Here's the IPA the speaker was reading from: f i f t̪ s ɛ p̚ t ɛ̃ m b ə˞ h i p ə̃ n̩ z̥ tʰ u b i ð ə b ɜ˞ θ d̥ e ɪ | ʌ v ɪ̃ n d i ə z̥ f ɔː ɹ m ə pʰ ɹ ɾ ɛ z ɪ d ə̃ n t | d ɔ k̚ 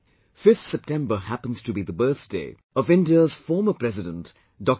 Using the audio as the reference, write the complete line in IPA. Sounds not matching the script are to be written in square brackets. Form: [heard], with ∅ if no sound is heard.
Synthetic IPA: f [ɪ] f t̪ s ɛ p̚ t ɛ̃ m b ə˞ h [æ] p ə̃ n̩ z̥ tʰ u b i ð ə b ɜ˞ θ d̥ e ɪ | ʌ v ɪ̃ n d i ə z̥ f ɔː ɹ m ə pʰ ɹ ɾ ɛ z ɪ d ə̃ n t | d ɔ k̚

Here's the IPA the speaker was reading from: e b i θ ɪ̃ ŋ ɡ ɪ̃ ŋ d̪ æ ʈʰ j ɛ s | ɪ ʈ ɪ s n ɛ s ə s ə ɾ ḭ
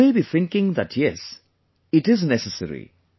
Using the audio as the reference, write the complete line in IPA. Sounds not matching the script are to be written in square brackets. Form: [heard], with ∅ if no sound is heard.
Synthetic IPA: e b i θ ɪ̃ ŋ [k] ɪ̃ ŋ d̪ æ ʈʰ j ɛ s | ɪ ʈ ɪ [z] n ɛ s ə s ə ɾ ḭ

